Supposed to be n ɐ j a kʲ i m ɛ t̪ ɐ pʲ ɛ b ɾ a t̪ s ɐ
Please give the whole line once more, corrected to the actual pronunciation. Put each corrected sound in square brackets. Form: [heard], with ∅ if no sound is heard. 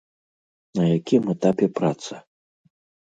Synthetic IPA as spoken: n ɐ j a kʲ i m ɛ t̪ [a] pʲ ɛ [p] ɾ a t̪ s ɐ